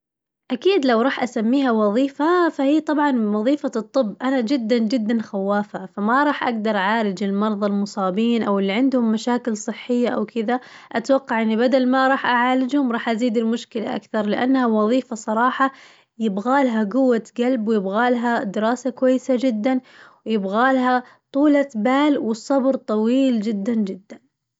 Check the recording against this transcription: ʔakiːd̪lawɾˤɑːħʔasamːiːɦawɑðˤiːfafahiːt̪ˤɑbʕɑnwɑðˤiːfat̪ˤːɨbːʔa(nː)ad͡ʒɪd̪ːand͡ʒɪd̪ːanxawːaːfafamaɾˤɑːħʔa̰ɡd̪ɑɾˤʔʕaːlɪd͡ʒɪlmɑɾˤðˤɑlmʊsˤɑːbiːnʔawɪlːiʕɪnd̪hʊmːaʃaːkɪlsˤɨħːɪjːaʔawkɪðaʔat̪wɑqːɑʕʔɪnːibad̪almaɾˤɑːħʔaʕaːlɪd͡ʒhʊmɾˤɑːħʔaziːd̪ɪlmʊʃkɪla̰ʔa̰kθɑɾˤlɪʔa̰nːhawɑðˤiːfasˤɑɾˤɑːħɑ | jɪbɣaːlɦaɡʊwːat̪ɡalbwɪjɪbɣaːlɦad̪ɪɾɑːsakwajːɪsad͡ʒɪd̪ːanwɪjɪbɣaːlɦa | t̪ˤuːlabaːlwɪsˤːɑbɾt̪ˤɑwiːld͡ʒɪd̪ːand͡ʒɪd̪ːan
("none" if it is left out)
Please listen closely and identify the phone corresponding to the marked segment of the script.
n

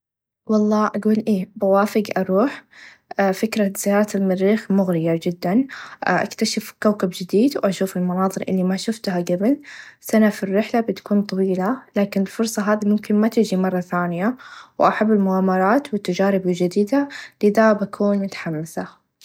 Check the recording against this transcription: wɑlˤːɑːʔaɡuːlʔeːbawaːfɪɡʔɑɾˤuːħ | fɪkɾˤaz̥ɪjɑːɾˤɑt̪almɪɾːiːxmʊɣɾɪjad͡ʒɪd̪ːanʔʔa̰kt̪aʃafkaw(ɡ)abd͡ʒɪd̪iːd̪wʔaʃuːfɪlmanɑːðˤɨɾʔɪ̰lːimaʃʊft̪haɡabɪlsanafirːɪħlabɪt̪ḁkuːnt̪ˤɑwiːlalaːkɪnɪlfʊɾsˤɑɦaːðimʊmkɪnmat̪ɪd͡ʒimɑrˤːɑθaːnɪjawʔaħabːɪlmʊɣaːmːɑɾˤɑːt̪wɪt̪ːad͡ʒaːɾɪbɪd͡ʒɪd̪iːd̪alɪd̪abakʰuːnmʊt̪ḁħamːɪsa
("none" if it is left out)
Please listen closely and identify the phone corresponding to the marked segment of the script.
k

